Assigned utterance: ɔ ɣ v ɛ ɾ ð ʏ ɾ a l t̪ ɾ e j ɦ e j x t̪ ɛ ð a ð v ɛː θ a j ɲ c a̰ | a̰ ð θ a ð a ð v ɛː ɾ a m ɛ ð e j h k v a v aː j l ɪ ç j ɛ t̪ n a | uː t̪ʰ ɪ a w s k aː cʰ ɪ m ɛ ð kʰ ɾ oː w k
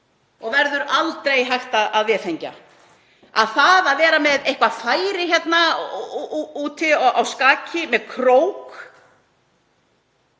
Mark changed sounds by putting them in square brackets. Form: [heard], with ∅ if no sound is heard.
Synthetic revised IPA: ɔ ɣ v ɛ ɾ ð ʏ ɾ a l t̪ ɾ e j ɦ [a] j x t̪ [a] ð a ð v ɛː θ [e] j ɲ c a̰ | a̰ ð θ a ð a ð v ɛː ɾ a m ɛ ð e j h k v a [f] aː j [ɾ] ɪ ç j ɛ t̪ n a | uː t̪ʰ ɪ a w s k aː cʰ ɪ m ɛ ð kʰ ɾ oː w k